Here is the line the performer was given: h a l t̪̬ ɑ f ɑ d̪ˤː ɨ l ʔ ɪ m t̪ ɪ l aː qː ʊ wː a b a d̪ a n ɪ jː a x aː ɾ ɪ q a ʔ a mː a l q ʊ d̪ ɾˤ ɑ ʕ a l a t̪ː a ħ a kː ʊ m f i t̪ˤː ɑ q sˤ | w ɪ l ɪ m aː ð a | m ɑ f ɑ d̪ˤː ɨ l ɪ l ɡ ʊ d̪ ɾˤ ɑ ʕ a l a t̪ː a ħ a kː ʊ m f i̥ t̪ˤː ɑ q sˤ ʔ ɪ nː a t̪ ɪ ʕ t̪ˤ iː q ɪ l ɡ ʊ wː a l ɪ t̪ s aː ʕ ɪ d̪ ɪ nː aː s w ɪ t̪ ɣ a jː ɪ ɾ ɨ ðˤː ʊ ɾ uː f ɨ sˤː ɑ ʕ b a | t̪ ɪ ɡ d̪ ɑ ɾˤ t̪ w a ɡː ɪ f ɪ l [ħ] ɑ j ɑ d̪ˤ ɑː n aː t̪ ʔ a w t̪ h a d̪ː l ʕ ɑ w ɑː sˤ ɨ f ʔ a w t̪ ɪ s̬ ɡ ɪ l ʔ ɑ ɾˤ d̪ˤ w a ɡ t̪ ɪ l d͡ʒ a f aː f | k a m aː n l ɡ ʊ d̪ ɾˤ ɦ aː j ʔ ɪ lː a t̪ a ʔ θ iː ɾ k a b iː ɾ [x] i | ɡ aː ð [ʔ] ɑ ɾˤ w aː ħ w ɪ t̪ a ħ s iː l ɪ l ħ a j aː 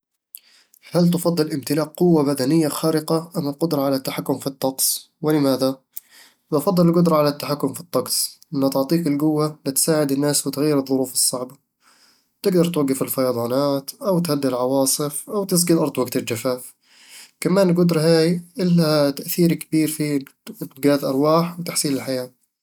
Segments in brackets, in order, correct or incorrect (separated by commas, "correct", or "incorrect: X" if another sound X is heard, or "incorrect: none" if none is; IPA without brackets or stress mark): incorrect: f, incorrect: f, correct